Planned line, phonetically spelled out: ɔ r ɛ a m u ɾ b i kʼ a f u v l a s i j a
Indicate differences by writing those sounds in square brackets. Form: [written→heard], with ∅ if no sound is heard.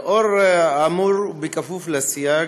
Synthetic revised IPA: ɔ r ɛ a m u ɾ b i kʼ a f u [v→f] l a s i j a